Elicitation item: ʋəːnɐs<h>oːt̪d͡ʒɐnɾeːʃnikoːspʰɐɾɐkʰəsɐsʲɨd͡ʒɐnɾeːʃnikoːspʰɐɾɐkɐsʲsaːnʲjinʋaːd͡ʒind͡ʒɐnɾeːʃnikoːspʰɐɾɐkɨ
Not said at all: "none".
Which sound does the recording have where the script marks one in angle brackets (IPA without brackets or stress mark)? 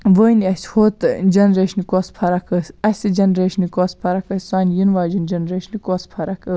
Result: h